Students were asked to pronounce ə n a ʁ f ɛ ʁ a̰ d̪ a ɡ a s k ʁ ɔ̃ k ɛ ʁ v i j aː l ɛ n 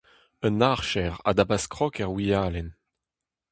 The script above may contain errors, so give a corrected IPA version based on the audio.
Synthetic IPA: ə n a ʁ ʃ ɛ ʁ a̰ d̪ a b a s k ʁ ɔ k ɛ ʁ w i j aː l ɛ n